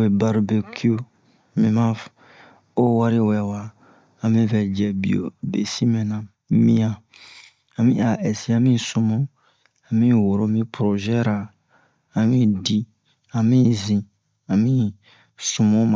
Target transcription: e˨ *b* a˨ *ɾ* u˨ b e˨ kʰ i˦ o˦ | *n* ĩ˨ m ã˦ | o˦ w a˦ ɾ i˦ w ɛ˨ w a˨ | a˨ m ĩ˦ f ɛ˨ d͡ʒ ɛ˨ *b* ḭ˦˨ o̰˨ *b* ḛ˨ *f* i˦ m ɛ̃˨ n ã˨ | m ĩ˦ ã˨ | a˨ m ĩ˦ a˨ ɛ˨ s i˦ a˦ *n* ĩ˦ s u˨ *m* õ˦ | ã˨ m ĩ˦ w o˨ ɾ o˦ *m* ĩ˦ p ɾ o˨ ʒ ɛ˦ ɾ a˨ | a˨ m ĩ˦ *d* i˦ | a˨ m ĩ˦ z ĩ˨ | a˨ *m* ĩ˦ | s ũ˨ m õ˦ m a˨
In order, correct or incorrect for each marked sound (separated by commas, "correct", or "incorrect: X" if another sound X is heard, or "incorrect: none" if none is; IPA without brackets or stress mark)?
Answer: correct, correct, incorrect: m, correct, correct, incorrect: s, incorrect: m, correct, correct, correct, correct